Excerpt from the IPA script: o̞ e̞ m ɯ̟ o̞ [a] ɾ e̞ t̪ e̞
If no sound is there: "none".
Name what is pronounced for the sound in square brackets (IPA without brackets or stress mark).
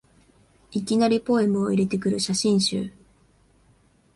i